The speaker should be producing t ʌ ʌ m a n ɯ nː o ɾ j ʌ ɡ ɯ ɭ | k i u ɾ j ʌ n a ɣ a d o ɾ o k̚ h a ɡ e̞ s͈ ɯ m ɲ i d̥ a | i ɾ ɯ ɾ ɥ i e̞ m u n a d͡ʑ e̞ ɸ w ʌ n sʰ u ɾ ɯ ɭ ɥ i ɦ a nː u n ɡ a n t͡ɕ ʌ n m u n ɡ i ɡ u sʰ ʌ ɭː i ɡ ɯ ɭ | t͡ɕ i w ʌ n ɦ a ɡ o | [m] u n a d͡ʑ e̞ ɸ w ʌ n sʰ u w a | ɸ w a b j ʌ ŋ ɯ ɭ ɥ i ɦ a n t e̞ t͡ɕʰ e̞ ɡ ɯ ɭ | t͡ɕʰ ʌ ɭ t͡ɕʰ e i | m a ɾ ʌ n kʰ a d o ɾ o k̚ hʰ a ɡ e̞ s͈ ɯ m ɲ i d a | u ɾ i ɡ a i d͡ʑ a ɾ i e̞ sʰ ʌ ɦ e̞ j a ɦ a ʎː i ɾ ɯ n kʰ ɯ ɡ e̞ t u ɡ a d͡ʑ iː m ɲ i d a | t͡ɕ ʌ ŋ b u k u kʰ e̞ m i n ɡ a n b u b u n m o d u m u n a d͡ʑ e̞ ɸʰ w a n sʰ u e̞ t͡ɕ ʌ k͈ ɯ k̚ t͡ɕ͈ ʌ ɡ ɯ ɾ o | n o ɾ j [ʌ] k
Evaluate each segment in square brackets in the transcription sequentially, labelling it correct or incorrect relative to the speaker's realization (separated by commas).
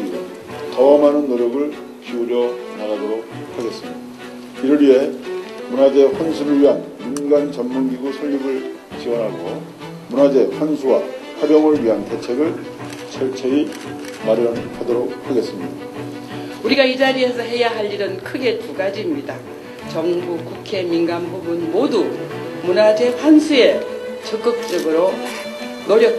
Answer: correct, correct